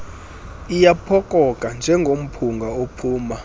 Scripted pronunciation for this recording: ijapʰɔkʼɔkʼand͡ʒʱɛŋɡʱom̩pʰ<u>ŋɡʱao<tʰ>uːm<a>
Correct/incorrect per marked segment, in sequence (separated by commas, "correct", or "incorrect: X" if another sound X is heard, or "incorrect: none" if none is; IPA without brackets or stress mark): correct, incorrect: pʰ, correct